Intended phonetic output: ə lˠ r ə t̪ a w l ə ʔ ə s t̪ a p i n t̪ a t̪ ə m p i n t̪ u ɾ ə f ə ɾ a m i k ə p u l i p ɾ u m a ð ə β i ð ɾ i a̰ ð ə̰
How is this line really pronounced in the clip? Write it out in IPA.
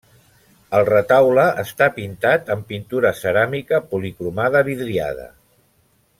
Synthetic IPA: ə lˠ r ə t̪ a w l ə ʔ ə s t̪ a p i n t̪ a t̪ ə m p i n t̪ u ɾ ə s ə ɾ a m i k ə p u l i k ɾ u m a ð ə β i ð ɾ i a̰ ð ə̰